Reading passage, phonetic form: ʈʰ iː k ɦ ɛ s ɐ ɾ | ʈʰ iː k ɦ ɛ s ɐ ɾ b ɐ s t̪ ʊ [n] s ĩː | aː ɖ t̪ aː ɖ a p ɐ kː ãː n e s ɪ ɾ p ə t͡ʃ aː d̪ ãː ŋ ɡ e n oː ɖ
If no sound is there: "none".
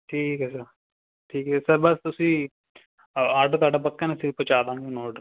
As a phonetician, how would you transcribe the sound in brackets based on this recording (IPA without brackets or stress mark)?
none